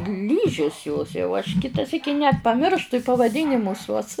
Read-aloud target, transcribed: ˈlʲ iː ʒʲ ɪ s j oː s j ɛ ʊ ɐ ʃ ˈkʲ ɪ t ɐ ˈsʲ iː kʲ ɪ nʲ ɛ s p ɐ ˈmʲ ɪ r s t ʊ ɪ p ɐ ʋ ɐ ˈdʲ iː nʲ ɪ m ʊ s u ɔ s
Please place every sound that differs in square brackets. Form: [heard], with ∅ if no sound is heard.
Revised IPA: ˈlʲ iː ʒʲ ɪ s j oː s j ɛ ʊ ɐ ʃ ˈkʲ ɪ t ɐ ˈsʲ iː kʲ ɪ nʲ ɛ [t] p ɐ ˈmʲ ɪ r [ʃ] t ʊ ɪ p ɐ ʋ ɐ ˈdʲ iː nʲ ɪ m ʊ s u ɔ s